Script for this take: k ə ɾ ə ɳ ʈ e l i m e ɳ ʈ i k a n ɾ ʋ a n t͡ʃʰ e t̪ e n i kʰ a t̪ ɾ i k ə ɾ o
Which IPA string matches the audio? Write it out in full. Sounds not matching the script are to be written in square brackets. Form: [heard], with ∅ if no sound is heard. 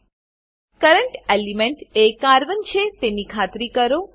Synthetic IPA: k ə ɾ ə ɳ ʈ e l i m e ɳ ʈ [e] k a [∅] ɾ ʋ [ə] n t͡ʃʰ e t̪ e n i kʰ a t̪ ɾ i k ə ɾ o